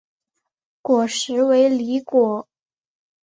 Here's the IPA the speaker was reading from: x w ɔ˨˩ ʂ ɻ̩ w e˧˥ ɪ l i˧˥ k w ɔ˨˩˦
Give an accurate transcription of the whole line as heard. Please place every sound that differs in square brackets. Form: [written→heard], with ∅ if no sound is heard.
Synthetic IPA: [x→k] w ɔ˨˩ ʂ ɻ̩ w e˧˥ ɪ l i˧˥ k w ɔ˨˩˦